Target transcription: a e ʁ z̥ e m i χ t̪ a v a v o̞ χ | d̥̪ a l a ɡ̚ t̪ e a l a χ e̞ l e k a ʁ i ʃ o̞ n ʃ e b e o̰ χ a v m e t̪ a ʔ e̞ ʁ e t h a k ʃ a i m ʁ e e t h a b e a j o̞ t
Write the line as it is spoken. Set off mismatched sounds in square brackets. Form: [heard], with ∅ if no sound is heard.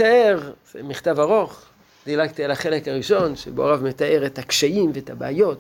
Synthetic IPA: a e ʁ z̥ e m i χ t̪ a v a [ʁ] o̞ χ | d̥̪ [i] l a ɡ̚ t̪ [i] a l a χ e̞ l e k a ʁ i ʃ o̞ n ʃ e b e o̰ [ʁ] a v m e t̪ a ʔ e̞ ʁ e t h a k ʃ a i m [v] e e t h a b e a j o̞ t